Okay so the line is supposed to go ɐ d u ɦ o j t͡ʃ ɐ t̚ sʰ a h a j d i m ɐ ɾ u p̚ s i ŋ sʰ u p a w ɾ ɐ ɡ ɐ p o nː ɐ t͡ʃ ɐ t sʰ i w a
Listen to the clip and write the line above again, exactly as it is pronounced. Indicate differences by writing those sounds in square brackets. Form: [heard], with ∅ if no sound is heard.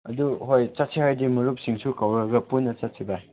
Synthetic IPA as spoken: ɐ d u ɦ o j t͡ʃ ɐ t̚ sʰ [i] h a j d i m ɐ ɾ u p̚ s i ŋ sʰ u [k] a w ɾ ɐ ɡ ɐ p [u] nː ɐ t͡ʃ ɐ t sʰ i [b] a